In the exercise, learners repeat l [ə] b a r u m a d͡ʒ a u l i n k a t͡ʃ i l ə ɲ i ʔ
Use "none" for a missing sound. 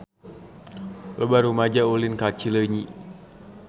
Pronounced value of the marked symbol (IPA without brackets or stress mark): ə